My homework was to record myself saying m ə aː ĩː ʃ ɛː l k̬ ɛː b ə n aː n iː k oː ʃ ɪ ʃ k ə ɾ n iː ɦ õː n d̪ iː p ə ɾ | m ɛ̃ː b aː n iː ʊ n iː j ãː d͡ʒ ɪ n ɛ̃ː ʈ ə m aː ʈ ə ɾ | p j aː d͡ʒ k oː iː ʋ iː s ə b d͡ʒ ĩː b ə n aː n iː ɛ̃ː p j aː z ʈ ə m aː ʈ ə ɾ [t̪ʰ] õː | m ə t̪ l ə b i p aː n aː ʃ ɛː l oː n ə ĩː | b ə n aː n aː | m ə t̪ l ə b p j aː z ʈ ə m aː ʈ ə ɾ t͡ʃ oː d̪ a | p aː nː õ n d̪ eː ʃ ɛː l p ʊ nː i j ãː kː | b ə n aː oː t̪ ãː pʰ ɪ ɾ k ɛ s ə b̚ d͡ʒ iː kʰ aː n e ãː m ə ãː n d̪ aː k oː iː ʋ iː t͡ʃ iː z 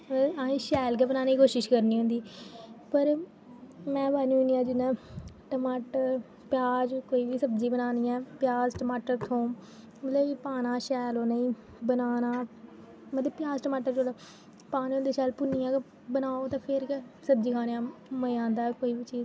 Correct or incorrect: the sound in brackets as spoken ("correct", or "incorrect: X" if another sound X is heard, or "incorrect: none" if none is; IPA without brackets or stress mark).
correct